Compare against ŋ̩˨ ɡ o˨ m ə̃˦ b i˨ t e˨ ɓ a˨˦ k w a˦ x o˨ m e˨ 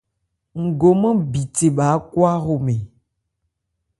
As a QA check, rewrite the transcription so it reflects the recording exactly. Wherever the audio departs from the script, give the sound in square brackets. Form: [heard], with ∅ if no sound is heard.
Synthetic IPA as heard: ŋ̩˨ ɡ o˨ m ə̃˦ b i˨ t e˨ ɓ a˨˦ k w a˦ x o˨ m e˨

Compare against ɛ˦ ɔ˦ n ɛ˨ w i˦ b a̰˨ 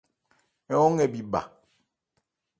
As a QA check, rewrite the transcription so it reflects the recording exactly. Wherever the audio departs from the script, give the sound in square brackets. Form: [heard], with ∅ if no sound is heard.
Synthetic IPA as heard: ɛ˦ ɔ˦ [ŋ] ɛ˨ [b] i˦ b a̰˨

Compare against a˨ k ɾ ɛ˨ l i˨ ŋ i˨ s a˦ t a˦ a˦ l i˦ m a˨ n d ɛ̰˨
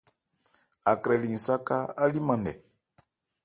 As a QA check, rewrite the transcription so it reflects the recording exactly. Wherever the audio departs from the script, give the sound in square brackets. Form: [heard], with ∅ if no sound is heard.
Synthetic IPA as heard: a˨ k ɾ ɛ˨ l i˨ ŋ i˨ s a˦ [k] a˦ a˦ l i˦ m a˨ n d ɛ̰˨

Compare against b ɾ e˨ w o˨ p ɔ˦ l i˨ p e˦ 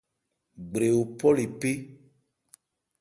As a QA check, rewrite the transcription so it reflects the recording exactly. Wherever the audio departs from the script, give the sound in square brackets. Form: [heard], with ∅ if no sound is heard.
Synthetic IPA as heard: [ɡ͡b] ɾ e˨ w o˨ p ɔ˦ l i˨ p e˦

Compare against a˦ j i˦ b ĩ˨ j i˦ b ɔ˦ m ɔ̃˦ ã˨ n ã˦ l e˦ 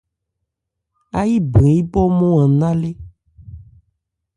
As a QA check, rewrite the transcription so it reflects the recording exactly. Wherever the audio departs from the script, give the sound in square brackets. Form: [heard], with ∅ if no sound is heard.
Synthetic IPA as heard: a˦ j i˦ b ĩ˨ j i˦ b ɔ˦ m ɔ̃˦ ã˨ n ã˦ l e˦

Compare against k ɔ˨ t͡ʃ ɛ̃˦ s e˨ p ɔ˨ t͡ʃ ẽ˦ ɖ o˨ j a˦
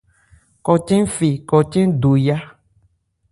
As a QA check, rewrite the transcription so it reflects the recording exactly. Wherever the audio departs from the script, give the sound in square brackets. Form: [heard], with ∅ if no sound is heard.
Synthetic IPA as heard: k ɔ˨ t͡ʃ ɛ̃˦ [f] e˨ [k] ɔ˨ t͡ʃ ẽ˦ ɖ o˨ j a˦

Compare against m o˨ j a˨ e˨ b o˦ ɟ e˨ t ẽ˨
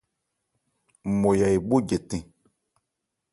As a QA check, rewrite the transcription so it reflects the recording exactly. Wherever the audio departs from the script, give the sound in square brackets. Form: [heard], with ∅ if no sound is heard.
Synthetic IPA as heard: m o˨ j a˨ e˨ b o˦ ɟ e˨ t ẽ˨

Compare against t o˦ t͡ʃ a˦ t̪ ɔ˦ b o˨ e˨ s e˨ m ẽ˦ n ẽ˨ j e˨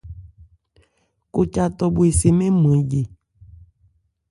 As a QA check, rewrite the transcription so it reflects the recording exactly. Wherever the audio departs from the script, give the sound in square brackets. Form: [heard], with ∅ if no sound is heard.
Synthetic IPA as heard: [k] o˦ t͡ʃ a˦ t̪ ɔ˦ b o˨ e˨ s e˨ m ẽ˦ [m] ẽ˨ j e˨

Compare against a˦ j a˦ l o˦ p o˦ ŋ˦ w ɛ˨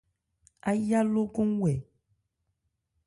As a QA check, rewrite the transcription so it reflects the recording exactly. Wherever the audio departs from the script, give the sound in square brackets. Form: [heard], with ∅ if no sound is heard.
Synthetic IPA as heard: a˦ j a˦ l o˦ [k] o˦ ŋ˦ w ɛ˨

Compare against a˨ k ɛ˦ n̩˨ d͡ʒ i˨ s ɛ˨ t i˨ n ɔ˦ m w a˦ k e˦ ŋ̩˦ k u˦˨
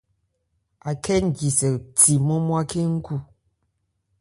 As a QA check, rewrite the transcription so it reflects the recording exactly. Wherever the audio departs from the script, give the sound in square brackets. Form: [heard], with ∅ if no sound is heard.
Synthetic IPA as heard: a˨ k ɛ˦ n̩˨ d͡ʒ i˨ s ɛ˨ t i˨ [m] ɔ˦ m w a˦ k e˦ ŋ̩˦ k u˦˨

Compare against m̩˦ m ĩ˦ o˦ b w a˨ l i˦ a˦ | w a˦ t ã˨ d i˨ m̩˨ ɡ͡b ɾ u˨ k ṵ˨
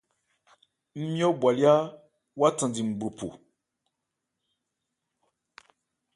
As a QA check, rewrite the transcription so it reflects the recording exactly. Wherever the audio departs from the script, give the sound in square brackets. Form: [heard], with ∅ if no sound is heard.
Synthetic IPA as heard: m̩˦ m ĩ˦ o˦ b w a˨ l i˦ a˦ | w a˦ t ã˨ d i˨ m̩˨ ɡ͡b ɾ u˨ [p] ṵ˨

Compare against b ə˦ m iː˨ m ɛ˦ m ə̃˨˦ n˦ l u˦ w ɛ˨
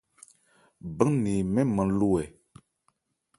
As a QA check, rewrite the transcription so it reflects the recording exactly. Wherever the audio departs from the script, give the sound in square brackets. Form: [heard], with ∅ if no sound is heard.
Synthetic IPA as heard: b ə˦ [n] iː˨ m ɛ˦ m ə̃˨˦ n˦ l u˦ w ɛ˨

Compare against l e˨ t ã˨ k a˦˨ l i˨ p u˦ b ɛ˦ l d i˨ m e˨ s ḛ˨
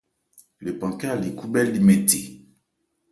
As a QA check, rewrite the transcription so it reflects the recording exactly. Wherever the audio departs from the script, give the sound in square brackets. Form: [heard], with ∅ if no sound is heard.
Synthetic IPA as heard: l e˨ [p] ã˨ k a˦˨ l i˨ [k] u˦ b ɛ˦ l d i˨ m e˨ [t] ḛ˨

